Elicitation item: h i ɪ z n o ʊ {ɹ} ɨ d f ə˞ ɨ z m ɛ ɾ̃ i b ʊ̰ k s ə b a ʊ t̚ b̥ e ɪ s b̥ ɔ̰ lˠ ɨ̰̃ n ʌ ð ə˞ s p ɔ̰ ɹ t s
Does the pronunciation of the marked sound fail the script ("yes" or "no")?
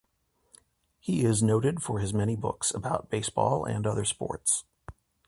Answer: yes